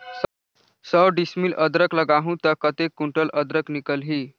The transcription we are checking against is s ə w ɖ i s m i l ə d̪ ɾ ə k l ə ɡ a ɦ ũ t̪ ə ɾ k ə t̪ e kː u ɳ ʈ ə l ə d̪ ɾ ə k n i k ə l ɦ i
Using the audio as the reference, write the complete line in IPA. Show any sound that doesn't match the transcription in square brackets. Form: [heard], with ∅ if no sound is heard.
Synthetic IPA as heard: s ə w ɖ i s m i l ə d̪ ɾ ə k l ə ɡ a ɦ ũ t̪ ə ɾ k ə t̪ e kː u ɳ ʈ ə l ə d̪ ɾ ə k n i k ə l ɦ i